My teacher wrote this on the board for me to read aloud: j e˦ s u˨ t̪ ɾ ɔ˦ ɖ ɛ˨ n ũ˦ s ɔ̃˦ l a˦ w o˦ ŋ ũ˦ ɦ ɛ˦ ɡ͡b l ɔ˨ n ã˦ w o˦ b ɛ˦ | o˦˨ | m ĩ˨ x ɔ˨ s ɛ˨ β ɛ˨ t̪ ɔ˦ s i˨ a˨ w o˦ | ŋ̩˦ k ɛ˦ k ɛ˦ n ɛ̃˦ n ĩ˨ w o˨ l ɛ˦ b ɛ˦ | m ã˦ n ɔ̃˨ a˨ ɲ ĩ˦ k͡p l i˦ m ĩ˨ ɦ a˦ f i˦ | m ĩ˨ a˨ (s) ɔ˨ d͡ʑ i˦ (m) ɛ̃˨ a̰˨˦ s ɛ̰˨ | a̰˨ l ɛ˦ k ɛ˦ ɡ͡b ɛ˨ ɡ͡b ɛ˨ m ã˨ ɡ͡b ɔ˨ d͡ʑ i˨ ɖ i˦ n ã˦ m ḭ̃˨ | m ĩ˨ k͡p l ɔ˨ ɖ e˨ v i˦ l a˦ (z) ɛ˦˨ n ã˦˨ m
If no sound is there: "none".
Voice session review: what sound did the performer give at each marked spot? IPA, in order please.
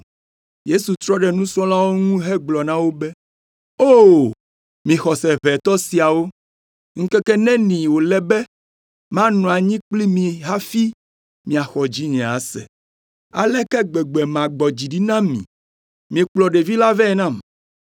x, ɲ, v

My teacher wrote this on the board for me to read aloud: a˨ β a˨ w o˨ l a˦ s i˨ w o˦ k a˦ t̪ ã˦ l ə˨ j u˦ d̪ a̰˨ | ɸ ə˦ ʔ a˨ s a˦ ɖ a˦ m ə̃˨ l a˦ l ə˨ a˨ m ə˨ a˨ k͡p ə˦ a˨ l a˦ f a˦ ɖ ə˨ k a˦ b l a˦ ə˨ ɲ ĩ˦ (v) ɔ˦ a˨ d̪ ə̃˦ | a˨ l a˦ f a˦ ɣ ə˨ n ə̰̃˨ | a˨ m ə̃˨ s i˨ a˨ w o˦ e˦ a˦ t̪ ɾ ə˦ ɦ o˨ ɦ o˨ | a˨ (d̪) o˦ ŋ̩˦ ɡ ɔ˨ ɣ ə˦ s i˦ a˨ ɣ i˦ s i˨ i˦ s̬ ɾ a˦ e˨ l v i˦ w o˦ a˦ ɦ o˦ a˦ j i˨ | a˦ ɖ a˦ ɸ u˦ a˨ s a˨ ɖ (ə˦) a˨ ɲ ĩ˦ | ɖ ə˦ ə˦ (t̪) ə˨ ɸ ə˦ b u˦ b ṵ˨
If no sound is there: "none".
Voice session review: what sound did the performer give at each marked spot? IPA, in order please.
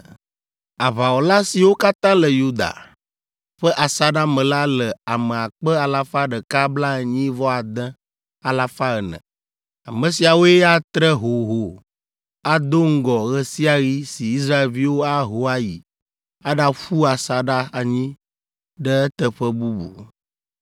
v, d̪, a˦, t̪

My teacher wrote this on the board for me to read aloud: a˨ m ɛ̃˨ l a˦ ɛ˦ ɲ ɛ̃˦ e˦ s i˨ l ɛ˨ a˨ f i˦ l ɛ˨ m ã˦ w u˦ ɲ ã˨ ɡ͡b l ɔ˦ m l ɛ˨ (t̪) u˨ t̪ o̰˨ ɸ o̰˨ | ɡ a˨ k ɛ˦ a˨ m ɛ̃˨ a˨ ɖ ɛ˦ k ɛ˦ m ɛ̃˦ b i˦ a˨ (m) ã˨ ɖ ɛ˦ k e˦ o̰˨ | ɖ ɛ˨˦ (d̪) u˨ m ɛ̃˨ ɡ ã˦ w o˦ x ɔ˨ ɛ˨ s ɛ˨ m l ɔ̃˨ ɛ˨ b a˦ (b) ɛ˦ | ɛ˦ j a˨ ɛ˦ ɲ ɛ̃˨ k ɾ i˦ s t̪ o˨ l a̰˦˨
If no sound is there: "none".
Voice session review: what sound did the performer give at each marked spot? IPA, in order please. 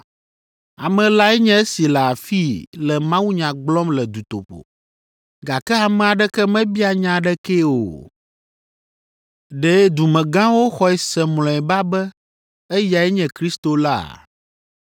d̪, ɲ, d̪, b

